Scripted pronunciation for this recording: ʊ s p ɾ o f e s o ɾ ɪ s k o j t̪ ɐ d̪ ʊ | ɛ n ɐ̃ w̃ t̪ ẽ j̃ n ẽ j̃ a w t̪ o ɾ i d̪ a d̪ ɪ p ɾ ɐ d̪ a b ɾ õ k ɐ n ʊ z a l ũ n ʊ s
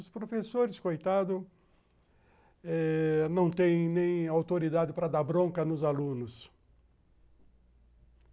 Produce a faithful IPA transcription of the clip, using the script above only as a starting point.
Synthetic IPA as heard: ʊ s p ɾ o f e s o ɾ ɪ s k o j t̪ a d̪ ʊ | ɛ n ɐ̃ w̃ t̪ ẽ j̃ n ẽ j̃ a w t̪ o ɾ i d̪ a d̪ ɪ p ɾ ɐ d̪ a b ɾ õ k ɐ n ʊ z a l ũ n ʊ s

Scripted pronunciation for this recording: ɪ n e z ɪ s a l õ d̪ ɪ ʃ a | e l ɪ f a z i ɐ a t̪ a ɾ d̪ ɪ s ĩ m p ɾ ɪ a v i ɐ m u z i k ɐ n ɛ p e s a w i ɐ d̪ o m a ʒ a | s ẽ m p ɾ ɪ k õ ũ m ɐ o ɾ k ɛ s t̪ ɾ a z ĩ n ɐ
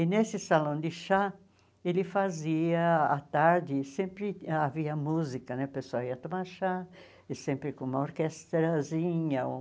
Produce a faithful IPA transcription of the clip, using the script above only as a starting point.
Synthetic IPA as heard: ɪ n e s ɪ s a l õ d̪ ɪ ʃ a | e l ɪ f a z i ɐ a t̪ a ɾ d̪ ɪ s ẽ m p ɾ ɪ a v i ɐ m u z i k ɐ n ɛ p e s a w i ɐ t̪ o m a ʃ a | s ẽ m p ɾ ɪ k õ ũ m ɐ o ɾ k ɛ s t̪ ɾ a z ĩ ɲ ɐ

